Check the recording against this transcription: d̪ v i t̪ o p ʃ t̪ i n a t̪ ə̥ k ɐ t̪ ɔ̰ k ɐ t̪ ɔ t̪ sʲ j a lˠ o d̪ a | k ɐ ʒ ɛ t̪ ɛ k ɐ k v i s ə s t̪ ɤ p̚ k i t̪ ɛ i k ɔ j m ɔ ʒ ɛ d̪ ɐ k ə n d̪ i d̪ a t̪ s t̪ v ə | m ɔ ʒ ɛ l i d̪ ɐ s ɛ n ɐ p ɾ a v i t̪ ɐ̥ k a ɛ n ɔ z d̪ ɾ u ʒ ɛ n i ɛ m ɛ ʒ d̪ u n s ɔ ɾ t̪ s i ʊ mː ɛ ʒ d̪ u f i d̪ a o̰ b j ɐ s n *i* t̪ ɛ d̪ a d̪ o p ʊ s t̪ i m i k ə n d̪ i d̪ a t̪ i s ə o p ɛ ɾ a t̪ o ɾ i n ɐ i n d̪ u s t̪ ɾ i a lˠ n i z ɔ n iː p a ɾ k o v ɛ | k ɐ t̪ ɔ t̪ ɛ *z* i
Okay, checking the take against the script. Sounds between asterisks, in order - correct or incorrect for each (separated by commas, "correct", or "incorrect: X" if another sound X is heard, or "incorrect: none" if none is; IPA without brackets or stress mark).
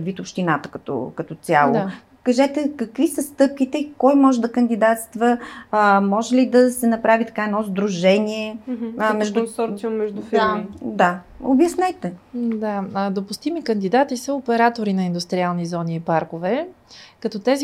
incorrect: ɛ, correct